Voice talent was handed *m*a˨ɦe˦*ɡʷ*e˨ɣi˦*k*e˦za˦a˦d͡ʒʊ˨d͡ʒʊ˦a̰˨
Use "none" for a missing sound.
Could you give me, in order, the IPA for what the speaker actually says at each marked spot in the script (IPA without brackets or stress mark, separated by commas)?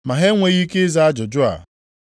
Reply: m, ŋʷ, k